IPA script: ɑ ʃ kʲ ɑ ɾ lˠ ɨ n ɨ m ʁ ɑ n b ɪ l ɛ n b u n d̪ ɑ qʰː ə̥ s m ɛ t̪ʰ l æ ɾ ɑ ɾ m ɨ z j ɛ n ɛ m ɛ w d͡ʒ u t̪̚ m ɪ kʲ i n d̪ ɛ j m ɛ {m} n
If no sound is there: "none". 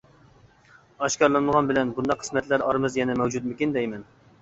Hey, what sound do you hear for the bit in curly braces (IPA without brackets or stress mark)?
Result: none